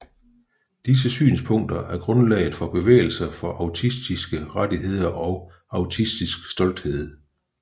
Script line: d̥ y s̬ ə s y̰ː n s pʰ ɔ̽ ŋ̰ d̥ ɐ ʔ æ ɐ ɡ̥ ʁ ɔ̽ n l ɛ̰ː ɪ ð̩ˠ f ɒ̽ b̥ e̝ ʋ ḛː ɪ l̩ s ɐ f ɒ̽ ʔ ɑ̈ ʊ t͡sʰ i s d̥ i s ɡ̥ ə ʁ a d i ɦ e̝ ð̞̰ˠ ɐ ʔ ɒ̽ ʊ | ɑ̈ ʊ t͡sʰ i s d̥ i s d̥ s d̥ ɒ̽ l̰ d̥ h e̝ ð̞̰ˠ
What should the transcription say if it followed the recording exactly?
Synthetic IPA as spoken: d̥ i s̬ ə s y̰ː n s pʰ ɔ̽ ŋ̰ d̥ ɐ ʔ æ ɐ ɡ̥ ʁ ɔ̽ n l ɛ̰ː ɪ ð̩ˠ f ɒ̽ b̥ e̝ ʋ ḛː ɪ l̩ s ɐ f ɒ̽ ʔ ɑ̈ ʊ t͡sʰ i s d̥ i s ɡ̥ ə ʁ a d i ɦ e̝ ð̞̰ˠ ɐ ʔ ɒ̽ ʊ | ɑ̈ ʊ t͡sʰ i s d̥ i s ɡ̥ s d̥ ɒ̽ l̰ d̥ h e̝ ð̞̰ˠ